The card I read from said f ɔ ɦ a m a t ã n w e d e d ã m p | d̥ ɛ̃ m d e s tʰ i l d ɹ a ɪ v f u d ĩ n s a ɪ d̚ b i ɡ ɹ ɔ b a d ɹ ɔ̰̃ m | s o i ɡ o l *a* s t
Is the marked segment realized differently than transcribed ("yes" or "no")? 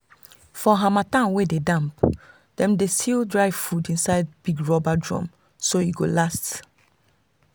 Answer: no